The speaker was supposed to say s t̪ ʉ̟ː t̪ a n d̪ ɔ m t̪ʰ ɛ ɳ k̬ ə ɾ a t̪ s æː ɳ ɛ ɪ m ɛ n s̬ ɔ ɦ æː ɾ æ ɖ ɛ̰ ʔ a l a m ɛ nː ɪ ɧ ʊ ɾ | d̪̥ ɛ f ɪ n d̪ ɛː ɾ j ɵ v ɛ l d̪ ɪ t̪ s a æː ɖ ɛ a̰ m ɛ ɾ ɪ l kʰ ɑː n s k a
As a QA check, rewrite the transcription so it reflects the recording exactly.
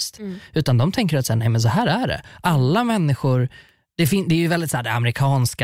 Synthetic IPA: s t̪ ʉ̟ː t̪ a n d̪ ɔ m t̪ʰ ɛ ŋ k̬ ə ɾ a t̪ s æː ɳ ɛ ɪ m ɛ n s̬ ɔ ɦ æː ɾ æ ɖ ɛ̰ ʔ a lː a m ɛ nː ɪ ɧ ʊ ɾ | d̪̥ ɛ f ɪ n d̪ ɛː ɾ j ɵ v ɛ l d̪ ɪ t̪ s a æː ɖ ɛ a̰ m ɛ ɾ ɪ kʰ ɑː n s k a